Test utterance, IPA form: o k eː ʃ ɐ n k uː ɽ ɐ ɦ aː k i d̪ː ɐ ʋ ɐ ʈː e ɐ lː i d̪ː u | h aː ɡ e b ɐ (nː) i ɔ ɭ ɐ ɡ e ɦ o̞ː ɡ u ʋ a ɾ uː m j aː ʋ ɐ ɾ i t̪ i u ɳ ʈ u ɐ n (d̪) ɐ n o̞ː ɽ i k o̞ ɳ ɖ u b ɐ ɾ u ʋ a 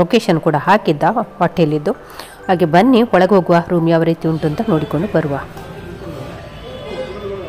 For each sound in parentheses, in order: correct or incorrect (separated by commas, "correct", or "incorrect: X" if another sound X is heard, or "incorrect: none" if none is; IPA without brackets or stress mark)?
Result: correct, incorrect: t̪